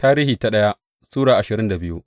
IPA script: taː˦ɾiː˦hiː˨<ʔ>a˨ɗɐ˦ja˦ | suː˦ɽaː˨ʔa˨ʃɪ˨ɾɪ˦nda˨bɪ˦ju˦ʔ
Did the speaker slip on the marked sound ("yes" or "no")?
yes